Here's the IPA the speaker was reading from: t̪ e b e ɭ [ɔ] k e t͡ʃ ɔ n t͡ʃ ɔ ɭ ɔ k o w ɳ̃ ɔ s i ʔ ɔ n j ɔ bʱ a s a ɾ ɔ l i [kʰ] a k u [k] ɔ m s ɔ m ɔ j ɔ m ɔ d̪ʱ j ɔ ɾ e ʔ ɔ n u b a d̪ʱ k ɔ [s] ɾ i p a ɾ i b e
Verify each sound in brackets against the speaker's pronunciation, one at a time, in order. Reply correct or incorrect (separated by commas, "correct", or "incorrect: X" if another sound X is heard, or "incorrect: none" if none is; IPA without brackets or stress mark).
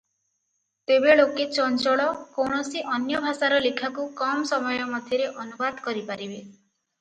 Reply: incorrect: o, correct, correct, incorrect: none